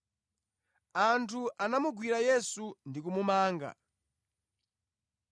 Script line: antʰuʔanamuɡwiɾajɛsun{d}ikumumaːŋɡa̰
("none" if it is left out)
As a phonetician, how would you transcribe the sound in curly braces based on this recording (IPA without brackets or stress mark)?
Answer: d